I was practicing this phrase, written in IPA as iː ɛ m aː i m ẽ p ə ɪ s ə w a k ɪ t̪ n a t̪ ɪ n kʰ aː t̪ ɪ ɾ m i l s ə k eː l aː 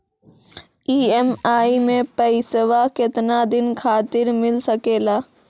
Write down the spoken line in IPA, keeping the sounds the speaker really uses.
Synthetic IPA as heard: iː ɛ m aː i m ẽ p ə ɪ s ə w a k ɪ t̪ n a d̪ ɪ n kʰ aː t̪ ɪ ɾ m ɪ l s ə k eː l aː